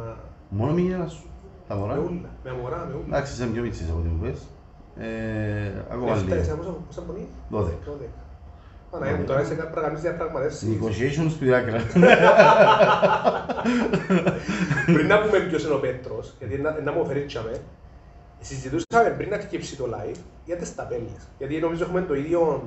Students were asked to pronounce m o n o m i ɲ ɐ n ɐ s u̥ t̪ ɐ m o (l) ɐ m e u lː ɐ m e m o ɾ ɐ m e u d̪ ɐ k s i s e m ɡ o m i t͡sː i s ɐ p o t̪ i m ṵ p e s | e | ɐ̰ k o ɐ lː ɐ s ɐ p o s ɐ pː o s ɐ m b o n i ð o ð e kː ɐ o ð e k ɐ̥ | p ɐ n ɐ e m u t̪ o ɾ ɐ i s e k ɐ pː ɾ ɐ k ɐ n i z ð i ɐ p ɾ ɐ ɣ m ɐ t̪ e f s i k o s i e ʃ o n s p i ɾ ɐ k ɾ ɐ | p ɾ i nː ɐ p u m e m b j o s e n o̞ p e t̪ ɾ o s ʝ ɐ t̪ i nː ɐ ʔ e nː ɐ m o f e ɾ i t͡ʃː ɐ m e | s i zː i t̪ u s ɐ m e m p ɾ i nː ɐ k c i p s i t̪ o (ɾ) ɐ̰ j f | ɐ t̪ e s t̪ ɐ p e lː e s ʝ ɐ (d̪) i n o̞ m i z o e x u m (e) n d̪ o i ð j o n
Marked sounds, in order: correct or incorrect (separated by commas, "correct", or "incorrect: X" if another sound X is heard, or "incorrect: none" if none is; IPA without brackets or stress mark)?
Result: incorrect: ɾ, incorrect: l, incorrect: t̪, correct